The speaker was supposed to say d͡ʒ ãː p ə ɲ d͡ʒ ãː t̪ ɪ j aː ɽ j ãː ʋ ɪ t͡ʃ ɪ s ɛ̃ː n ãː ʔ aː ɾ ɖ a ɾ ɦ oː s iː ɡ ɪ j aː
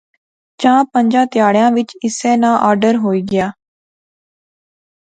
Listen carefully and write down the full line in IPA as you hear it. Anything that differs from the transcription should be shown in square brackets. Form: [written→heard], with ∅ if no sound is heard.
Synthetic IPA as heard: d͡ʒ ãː p ə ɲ d͡ʒ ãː t̪ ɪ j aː ɽ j ãː ʋ ɪ t͡ʃ ɪ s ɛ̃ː n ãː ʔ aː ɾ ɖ [a→ə] ɾ ɦ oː [s→∅] iː ɡ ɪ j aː